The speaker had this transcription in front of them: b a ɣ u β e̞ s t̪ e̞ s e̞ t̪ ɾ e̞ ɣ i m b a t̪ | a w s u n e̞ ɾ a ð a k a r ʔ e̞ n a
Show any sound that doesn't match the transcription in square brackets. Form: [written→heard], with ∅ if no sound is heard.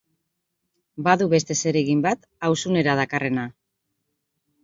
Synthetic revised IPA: b a [ɣ→ð] u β e̞ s t̪ e̞ s e̞ [t̪→∅] ɾ e̞ ɣ i m b a t̪ | a w s u n e̞ ɾ a ð a k a r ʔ e̞ n a